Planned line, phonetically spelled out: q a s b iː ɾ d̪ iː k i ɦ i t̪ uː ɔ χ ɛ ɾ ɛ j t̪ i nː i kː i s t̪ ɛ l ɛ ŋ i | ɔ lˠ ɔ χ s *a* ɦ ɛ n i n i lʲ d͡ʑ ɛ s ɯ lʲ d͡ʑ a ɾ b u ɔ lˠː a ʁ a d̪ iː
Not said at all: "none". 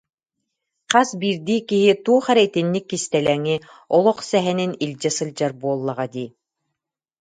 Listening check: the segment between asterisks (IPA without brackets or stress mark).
ɛ